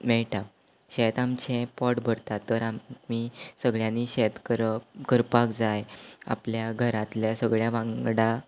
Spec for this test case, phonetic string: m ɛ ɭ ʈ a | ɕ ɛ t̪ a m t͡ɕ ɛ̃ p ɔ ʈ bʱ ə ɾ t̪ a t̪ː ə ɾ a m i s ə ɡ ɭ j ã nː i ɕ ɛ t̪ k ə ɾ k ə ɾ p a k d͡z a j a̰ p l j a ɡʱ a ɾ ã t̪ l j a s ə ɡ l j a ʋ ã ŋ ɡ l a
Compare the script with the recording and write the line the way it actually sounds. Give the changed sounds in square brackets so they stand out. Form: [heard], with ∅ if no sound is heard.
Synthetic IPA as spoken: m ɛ ɭ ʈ a | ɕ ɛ t̪ a m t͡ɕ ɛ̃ p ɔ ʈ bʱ ə ɾ t̪ a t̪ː ə ɾ a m i s ə ɡ ɭ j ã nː i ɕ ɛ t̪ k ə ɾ k ə ɾ p a k d͡z a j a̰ p l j a ɡʱ [ə] ɾ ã t̪ l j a s ə ɡ [ɭ] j a ʋ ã ŋ ɡ [ɽ] a